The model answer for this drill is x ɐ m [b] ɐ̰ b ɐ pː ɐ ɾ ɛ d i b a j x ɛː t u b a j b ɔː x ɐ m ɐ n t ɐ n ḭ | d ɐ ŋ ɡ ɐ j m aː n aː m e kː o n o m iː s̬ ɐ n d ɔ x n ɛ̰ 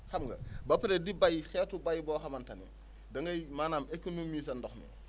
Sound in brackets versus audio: incorrect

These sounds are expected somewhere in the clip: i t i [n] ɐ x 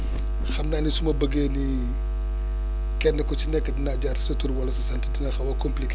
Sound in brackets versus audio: correct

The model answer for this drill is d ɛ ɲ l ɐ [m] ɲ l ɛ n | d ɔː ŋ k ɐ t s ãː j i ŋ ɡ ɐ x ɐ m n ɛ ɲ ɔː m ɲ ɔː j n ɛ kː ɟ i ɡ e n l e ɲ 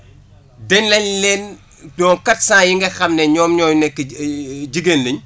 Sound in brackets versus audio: incorrect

